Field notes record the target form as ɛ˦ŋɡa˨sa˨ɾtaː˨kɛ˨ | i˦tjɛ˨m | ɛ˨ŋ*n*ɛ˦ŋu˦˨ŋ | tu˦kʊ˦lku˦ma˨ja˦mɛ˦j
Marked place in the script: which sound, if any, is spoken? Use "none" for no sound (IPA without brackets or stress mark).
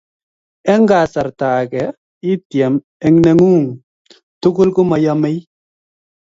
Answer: n